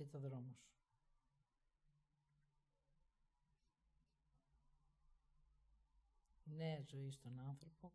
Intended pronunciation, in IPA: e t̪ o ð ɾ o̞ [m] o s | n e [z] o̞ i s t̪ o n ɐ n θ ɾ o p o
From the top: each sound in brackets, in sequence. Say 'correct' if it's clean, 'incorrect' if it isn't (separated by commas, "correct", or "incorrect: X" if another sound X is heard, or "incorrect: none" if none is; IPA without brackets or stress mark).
correct, correct